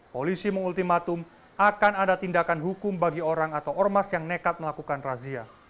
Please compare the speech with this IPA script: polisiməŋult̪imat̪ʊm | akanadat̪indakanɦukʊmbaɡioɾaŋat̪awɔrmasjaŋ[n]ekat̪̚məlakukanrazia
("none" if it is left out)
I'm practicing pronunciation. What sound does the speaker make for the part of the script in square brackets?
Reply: n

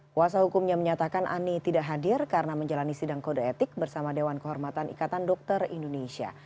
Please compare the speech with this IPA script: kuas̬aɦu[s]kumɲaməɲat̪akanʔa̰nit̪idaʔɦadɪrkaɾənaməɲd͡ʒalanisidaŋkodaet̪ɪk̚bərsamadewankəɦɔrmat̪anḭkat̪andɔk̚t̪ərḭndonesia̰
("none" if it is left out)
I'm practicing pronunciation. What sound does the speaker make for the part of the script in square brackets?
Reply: none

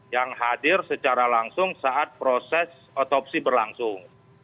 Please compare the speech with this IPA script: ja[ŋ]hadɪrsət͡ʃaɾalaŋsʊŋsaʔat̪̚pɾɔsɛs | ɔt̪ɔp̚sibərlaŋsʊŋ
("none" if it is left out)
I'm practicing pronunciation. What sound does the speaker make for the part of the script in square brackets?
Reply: ŋ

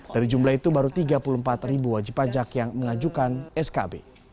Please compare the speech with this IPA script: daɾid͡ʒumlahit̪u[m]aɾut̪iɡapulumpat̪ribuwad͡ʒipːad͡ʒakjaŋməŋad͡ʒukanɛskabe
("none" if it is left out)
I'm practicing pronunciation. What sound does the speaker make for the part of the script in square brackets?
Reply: b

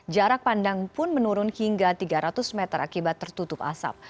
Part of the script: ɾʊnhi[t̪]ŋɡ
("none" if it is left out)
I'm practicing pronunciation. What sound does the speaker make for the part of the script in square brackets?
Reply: none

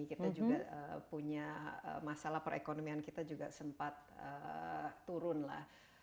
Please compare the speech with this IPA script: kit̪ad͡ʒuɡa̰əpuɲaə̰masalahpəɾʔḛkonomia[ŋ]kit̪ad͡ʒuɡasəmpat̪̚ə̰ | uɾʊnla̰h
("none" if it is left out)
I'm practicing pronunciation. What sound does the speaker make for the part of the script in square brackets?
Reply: n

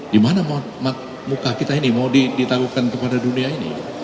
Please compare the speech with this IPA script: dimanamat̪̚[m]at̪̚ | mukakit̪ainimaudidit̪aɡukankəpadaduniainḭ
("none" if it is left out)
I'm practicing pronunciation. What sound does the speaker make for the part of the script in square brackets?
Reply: m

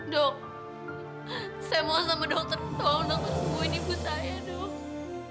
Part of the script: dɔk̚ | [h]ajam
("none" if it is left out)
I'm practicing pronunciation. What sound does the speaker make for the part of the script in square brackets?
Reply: s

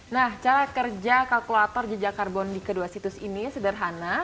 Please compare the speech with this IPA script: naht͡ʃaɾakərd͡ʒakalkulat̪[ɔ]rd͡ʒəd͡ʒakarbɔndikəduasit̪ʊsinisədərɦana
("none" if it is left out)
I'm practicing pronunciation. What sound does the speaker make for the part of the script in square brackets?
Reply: ɔ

